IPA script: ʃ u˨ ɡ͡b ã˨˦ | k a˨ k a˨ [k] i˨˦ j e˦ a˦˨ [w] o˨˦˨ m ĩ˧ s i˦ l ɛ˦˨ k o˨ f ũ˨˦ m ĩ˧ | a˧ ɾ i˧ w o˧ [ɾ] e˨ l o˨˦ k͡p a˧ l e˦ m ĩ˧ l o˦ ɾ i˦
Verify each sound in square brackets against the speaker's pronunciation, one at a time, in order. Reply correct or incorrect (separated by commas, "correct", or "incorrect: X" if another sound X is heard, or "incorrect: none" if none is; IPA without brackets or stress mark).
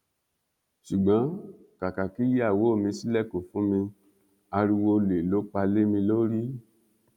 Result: correct, correct, incorrect: l